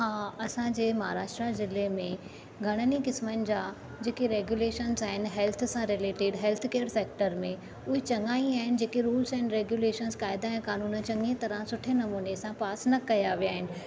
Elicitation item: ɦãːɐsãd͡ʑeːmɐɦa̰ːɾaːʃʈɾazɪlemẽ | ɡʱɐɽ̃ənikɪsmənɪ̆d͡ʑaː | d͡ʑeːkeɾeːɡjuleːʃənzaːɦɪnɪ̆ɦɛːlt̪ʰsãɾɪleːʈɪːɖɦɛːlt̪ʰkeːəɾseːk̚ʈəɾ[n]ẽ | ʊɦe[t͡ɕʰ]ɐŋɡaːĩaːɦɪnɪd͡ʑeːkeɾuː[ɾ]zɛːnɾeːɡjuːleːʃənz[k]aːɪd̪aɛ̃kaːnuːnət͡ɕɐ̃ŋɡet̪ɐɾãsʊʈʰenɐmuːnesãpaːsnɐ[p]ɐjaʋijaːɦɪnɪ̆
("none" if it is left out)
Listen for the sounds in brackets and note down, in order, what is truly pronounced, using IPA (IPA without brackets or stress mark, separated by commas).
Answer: m, t͡ɕ, l, k, k